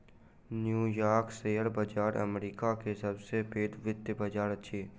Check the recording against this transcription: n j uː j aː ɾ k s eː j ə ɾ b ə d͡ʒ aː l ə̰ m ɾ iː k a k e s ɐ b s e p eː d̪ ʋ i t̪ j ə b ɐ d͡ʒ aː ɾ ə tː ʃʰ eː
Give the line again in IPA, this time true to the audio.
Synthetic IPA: n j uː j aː ɾ k s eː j ə ɾ b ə d͡ʒ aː ɾ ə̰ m ɾ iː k a k e s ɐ b s e p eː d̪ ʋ ɪ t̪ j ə b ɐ d͡ʒ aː ɾ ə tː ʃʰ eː